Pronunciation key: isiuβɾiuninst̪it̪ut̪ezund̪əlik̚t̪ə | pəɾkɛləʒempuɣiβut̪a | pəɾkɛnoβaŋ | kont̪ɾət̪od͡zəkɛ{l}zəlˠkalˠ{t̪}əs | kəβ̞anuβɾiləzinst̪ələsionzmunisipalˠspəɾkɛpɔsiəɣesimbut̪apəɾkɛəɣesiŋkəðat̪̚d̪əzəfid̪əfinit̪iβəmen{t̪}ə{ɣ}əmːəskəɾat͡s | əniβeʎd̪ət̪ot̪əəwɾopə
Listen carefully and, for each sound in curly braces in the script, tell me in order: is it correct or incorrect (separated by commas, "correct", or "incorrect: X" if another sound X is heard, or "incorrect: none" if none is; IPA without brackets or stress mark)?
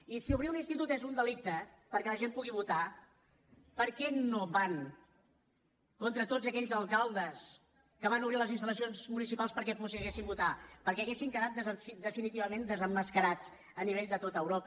incorrect: ʎ, incorrect: d̪, incorrect: d̪, incorrect: z